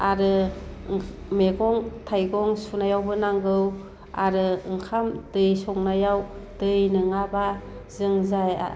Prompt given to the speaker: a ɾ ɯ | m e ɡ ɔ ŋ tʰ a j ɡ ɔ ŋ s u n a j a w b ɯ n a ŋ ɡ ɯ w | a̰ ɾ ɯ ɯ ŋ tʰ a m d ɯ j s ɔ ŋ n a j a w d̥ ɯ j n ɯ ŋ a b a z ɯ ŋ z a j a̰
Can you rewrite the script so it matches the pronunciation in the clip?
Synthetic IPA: a ɾ ɯ | m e ɡ ɔ ŋ tʰ a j ɡ ɔ ŋ s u n a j a w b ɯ n a ŋ ɡ ɯ w | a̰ ɾ ɯ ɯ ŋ kʰ a m d ɯ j s ɔ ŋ n a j a w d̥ ɯ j n ɯ ŋ a b a z ɯ ŋ z a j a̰